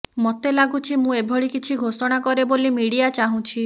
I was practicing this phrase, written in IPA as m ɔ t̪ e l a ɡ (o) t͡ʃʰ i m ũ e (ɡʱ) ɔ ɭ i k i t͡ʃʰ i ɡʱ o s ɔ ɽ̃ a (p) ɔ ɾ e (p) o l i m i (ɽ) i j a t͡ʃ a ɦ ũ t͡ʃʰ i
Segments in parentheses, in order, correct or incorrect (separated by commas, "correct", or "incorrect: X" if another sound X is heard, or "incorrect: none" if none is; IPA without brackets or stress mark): incorrect: u, incorrect: bʱ, incorrect: k, incorrect: b, correct